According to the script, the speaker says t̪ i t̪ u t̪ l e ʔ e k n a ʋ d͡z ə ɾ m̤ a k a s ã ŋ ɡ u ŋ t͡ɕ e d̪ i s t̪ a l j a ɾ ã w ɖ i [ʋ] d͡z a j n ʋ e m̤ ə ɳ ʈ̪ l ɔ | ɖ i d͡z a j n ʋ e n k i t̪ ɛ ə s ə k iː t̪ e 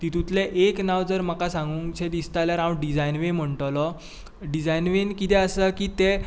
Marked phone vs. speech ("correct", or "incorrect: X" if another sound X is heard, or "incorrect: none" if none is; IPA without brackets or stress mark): incorrect: none